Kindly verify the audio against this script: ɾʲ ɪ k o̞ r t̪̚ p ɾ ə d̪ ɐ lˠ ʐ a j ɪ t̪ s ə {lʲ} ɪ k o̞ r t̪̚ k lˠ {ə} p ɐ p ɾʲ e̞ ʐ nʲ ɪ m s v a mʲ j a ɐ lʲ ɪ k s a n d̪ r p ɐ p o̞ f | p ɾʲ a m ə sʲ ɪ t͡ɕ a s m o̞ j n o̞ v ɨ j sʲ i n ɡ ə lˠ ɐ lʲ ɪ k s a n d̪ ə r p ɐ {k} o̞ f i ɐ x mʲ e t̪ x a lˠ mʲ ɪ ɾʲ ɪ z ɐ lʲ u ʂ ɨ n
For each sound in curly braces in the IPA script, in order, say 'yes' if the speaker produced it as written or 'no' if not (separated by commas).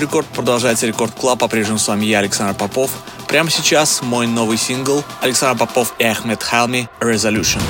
no, no, no